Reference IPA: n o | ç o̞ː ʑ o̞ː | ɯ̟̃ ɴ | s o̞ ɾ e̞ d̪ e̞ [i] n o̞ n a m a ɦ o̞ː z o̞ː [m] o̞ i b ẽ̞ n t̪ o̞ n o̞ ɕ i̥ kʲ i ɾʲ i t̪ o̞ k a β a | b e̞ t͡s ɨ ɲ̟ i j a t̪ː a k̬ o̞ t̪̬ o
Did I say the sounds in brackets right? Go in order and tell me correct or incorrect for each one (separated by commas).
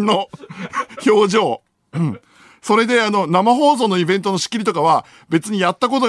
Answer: incorrect, incorrect